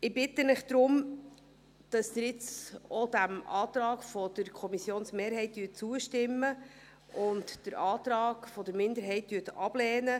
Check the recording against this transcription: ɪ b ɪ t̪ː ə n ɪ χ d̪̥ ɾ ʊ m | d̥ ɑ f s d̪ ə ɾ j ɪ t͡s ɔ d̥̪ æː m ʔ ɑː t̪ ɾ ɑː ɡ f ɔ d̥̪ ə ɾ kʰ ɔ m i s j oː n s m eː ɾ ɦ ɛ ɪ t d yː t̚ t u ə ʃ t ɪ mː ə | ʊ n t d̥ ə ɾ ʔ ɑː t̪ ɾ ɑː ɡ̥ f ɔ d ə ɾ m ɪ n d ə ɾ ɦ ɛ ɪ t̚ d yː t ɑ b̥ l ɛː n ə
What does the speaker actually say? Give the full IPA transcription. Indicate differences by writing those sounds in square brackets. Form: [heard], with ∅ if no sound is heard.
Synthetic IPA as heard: ɪ b ɪ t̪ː ə n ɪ χ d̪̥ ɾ ʊ m | d̥ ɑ [∅] s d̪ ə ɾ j ɪ t͡s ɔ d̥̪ [æ] m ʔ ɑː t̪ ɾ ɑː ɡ f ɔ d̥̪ ə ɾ kʰ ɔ m i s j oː n s m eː ɾ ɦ ɛ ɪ t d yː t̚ [t͡s] u ə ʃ t ɪ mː ə | ʊ n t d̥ ə ɾ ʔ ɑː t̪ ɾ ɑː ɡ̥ f ɔ d ə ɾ m ɪ n d ə ɾ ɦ ɛ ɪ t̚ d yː t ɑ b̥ l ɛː n ə

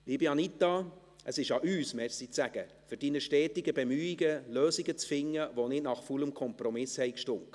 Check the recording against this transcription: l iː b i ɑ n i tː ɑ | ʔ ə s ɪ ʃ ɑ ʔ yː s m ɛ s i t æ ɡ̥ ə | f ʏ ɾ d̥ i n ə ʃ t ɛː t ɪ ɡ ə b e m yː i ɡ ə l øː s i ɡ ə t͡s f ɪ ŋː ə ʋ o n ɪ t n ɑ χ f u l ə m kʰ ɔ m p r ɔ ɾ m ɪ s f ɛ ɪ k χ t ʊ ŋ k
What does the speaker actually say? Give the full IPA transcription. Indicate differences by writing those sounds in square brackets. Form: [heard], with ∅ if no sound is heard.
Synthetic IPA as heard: l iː b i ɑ n i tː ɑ | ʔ ə s ɪ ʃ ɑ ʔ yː s m ɛ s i [t͡s] æ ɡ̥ ə | f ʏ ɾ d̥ i n ə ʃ t ɛː t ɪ ɡ ə b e m yː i ɡ ə l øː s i ɡ ə t͡s f ɪ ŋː ə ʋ o n ɪ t n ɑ χ f u l ə m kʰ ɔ m p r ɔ [∅] m ɪ s [h] ɛ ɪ k [ʃ] t ʊ ŋ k

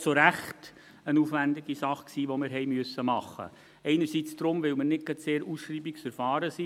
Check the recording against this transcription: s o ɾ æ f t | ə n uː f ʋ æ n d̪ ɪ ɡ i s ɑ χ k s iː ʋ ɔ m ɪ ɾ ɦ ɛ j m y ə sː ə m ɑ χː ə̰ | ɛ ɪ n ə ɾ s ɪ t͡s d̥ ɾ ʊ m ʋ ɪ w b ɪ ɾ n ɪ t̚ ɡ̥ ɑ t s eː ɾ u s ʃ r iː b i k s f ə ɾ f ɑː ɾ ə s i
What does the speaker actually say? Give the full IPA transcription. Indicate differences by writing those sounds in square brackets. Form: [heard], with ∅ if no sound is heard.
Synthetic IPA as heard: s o ɾ æ [χ] t | ə n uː f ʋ æ n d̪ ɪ ɡ i s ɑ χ k s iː ʋ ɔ m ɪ ɾ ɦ ɛ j m y ə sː ə m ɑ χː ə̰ | ɛ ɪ n ə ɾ s [i] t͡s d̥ ɾ ʊ m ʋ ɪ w [m] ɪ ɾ n ɪ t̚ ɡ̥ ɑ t s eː ɾ u s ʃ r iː b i k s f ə ɾ f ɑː ɾ ə s i

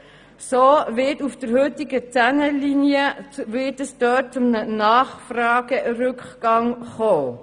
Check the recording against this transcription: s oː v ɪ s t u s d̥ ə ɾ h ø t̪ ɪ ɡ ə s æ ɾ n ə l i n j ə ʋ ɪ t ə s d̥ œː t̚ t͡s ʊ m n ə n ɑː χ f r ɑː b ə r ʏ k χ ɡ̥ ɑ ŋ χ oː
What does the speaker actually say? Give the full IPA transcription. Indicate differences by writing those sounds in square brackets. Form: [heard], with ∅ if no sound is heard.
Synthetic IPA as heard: s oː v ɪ [∅] t u [f] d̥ ə ɾ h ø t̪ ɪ ɡ ə [t͡s] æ [∅] n ə l i n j ə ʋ ɪ t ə s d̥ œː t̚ t͡s ʊ m n ə n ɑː χ f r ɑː [ɡ] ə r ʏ k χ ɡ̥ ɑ ŋ χ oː

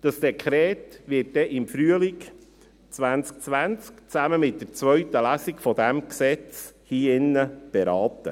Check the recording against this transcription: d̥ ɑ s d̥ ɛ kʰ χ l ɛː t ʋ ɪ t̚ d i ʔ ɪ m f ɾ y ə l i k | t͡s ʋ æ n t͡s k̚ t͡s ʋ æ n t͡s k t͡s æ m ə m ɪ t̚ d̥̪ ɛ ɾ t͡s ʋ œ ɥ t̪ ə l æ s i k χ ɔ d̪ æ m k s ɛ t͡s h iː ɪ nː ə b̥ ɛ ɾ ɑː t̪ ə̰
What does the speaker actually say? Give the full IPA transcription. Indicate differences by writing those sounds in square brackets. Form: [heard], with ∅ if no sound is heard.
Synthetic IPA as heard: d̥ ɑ s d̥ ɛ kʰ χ [ɾ] ɛː t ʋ ɪ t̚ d [ɛ] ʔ ɪ m f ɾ y ə l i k | t͡s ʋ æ n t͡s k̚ t͡s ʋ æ n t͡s k t͡s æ m ə m ɪ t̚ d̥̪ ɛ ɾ t͡s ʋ œ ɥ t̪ ə l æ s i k [f] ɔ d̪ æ m k s ɛ t͡s h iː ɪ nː ə b̥ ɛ ɾ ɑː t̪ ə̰

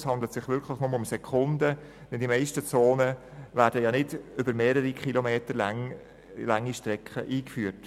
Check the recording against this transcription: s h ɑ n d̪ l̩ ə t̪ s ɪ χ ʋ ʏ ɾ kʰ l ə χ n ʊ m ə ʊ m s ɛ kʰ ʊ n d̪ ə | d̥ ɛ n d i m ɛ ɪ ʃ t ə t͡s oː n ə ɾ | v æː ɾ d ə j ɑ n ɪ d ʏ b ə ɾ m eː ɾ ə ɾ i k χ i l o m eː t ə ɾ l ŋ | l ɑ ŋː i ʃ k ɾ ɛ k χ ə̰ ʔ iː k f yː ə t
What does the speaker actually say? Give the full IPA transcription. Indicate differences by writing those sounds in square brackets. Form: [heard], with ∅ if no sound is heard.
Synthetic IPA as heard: s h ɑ n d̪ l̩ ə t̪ s ɪ χ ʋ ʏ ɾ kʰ l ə χ n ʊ m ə ʊ m s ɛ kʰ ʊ n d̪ ə | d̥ ɛ n d i m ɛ ɪ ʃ t ə t͡s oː n ə [∅] | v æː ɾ d ə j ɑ n ɪ d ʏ b ə ɾ m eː ɾ ə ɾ i k χ i l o m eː t ə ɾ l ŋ | l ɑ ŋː i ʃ [t] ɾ ɛ k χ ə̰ ʔ iː k f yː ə t

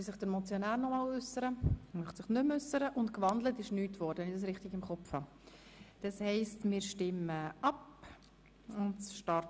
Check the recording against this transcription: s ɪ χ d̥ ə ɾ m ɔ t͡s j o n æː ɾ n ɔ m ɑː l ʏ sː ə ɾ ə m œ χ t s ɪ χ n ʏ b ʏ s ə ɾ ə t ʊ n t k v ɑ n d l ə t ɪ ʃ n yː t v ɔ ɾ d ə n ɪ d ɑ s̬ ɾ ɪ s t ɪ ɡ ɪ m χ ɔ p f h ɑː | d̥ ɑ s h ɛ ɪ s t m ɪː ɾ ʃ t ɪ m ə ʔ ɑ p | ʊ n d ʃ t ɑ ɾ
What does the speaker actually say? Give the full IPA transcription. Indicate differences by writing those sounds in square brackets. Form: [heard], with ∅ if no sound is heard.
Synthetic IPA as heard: s ɪ χ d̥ ə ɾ m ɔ t͡s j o n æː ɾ n ɔ m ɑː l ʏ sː ə ɾ ə m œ χ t s ɪ χ n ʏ [m] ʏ s ə ɾ ə [ʔ] ʊ n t k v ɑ n d l ə t ɪ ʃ n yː t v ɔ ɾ d ə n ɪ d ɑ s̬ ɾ ɪ [χ] t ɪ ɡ ɪ m χ ɔ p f h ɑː | d̥ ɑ s h ɛ ɪ s t m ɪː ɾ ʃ t ɪ m ə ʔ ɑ p | ʊ n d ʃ t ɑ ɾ

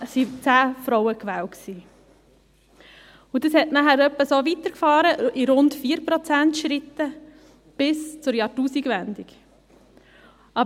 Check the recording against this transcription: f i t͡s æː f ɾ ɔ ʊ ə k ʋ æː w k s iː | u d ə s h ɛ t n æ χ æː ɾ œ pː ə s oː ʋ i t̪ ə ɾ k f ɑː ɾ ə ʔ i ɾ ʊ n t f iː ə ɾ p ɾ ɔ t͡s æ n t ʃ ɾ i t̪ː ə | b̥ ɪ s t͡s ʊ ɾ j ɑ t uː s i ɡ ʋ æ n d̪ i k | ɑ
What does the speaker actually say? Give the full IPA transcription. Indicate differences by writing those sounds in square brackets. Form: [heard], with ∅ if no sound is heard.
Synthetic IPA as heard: [s] i t͡s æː f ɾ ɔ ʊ ə k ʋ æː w k s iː | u d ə s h ɛ t n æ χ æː ɾ œ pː ə s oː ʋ i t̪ ə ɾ k f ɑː ɾ ə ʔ i ɾ ʊ n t f iː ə ɾ p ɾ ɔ t͡s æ n t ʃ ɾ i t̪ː ə | b̥ ɪ s t͡s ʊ ɾ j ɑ t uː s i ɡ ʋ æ n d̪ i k | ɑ

